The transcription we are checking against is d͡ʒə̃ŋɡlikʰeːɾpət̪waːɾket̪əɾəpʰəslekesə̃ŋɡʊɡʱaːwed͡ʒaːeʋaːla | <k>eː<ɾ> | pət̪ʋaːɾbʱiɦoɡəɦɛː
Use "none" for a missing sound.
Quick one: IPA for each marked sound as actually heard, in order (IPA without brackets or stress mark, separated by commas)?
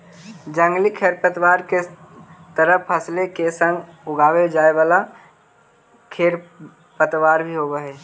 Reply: kʰ, ɾ